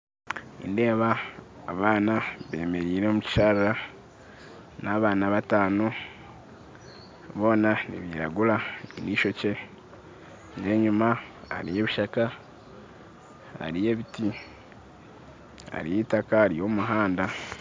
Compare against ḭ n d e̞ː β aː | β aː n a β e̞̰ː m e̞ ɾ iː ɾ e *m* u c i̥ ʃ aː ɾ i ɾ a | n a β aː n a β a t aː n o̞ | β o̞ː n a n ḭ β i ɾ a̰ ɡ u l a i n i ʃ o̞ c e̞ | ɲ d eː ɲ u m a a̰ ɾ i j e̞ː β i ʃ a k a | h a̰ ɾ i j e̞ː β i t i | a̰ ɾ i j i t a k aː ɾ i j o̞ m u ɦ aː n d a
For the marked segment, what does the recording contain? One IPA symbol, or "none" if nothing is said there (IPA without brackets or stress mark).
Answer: m